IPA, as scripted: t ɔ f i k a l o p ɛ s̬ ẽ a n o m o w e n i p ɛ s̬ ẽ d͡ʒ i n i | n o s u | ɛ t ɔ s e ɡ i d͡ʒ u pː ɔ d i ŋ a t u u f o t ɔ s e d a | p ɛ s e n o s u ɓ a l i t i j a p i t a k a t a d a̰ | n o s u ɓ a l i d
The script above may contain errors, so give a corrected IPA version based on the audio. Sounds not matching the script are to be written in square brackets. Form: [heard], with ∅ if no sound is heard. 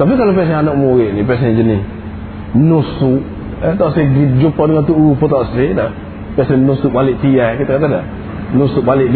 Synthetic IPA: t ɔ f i k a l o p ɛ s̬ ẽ a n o m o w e n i p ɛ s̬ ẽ d͡ʒ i n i | n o s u | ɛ t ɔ s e ɡ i d͡ʒ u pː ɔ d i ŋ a t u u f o t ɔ s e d a | p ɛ s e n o s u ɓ a l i t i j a [k] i t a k a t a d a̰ | n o s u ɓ a l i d